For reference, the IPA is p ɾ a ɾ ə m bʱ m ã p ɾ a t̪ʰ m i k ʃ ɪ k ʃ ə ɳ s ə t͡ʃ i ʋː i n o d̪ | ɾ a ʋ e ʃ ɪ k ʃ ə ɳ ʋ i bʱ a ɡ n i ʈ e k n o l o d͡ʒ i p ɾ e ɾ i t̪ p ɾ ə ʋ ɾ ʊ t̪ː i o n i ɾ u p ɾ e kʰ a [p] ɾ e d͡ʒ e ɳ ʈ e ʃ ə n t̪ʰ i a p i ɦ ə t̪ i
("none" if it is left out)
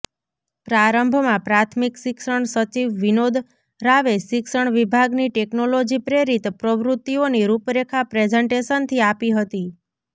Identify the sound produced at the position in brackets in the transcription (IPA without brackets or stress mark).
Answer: p